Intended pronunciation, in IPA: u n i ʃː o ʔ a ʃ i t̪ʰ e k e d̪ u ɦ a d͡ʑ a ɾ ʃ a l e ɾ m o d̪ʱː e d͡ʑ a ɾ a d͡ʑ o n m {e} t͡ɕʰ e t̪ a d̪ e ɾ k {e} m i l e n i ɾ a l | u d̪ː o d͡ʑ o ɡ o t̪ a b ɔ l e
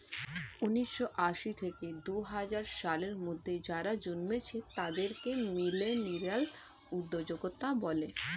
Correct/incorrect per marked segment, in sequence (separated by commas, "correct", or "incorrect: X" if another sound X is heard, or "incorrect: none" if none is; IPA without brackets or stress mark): correct, correct